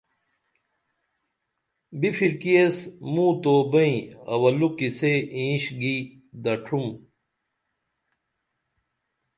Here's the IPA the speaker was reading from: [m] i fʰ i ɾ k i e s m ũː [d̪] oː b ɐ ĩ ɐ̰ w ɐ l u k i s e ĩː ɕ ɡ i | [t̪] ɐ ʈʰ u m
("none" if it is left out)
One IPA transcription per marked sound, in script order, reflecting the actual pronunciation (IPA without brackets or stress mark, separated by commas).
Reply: b, t̪, d̪